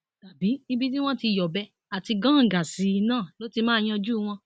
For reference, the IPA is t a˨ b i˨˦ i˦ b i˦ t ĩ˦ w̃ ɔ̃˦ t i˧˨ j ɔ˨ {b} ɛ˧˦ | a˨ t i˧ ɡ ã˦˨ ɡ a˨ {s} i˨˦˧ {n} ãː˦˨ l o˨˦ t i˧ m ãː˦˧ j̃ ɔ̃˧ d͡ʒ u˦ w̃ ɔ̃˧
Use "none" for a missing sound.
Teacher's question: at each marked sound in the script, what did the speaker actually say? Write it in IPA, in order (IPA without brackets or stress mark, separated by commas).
b, s, n